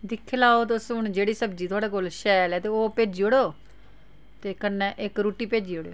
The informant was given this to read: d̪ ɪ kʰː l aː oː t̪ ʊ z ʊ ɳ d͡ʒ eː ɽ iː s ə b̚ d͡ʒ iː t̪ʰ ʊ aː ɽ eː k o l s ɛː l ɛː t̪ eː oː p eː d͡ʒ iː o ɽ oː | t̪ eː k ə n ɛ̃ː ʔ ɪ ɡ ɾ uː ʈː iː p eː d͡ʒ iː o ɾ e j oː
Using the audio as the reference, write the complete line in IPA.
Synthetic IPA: d̪ ɪ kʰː l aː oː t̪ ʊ s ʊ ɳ d͡ʒ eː ɽ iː s ə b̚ d͡ʒ iː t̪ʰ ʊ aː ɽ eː k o l ʃ ɛː l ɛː t̪ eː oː p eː d͡ʒ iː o ɽ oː | t̪ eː k ə n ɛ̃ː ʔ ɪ k ɾ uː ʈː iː p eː d͡ʒ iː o ɽ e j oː